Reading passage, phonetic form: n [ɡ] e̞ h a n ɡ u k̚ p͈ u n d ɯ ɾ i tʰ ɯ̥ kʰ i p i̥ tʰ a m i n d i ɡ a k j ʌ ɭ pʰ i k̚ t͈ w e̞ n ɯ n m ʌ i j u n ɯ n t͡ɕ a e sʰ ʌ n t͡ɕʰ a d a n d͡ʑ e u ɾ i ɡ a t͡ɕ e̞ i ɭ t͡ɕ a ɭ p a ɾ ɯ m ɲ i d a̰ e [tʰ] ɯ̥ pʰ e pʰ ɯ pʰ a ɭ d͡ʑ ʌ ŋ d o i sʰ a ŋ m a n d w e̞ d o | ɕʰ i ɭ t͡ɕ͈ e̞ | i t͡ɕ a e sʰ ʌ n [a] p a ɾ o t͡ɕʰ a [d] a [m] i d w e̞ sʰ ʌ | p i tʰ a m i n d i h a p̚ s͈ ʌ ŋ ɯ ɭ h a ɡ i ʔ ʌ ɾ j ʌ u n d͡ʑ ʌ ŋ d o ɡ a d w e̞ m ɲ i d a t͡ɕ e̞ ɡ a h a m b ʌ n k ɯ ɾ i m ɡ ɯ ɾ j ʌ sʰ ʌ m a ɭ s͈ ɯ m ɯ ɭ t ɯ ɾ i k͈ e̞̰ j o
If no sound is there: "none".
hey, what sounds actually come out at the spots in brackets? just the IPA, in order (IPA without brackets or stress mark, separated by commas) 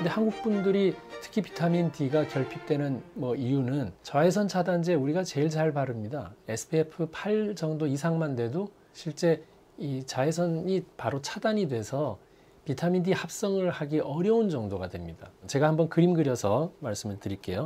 d, sʰ, i, d, ɲ